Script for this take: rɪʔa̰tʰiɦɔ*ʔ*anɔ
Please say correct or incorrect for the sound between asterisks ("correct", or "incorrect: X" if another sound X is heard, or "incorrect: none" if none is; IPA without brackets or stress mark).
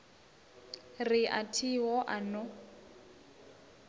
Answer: correct